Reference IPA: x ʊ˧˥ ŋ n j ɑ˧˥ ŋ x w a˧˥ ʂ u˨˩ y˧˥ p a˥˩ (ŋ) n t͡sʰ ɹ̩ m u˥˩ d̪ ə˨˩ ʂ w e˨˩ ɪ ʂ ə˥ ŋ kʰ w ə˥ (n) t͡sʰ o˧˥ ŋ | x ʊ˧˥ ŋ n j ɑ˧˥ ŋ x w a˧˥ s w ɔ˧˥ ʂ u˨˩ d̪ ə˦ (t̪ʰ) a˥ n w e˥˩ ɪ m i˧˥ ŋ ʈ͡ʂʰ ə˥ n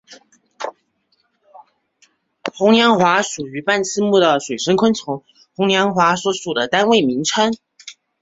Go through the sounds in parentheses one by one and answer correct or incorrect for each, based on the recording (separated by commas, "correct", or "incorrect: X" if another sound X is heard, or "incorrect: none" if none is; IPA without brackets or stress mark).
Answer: incorrect: none, correct, incorrect: t̪